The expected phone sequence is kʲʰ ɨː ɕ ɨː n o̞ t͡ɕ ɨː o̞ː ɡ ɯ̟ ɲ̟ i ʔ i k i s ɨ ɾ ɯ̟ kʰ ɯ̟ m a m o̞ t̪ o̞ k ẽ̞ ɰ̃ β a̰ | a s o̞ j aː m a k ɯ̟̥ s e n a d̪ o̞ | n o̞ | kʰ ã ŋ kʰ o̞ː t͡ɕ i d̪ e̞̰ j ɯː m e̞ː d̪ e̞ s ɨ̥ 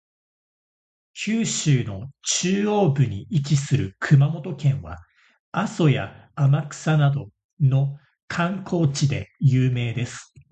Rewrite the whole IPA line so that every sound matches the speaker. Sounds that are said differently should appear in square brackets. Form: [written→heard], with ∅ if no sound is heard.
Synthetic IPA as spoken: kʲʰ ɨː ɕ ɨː n o̞ t͡ɕ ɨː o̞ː [ɡ→b] ɯ̟ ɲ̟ i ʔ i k i s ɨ ɾ ɯ̟ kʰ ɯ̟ m a m o̞ t̪ o̞ k ẽ̞ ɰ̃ β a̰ | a s o̞ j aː m a k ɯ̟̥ s [e→a] n a d̪ o̞ | n o̞ | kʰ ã ŋ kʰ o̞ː t͡ɕ i d̪ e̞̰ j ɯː m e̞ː d̪ e̞ s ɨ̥